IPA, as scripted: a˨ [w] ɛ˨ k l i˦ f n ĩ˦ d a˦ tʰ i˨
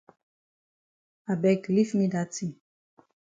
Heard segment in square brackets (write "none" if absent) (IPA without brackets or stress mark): b